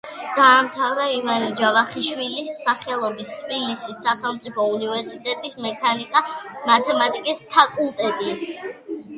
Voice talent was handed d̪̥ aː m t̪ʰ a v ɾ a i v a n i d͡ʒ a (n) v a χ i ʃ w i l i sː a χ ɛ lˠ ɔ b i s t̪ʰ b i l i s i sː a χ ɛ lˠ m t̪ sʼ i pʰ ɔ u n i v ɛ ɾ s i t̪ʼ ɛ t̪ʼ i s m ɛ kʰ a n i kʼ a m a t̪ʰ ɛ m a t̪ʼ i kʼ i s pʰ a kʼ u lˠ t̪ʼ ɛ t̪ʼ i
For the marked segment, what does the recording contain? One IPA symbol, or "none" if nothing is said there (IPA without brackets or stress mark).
none